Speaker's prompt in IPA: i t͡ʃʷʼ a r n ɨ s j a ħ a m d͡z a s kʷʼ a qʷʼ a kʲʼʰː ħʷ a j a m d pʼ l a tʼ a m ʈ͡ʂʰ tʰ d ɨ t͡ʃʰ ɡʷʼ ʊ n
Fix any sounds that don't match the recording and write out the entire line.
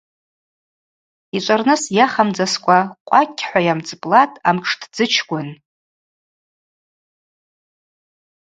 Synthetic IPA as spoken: i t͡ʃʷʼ a r n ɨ s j a χ a m d͡z a s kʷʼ a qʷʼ a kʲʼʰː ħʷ a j a m d͡z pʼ l a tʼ a m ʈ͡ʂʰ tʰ d͡z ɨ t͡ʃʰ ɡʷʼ ʊ n